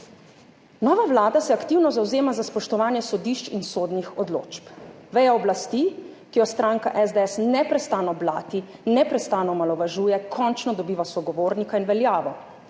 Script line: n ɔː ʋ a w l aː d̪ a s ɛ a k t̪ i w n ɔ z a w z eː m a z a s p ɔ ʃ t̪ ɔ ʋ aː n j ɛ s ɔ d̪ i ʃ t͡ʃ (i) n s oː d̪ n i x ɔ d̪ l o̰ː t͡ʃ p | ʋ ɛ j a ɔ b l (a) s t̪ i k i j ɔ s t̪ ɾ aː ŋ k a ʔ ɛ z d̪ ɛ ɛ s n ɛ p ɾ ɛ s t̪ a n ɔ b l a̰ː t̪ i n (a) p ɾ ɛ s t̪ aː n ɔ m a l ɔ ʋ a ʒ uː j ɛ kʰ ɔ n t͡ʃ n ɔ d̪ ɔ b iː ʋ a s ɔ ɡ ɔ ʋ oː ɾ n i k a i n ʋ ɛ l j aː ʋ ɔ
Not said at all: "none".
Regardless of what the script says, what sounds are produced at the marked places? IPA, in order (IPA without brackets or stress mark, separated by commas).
i, a, ɛ